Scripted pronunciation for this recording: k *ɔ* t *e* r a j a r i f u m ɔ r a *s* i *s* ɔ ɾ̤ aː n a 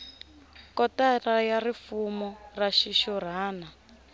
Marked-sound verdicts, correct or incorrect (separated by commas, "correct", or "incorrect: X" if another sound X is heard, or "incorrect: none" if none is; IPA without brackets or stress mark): correct, incorrect: a, incorrect: ʃ, incorrect: ʃ